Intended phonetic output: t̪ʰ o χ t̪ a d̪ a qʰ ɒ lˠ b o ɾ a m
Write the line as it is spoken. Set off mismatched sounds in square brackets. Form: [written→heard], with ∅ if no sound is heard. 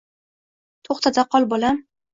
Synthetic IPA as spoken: t̪ʰ o χ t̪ a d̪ a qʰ ɒ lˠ b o [ɾ→l] a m